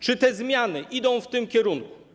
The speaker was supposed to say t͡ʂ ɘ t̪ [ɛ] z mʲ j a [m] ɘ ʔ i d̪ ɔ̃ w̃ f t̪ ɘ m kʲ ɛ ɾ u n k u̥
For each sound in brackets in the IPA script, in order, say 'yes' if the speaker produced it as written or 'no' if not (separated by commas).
yes, no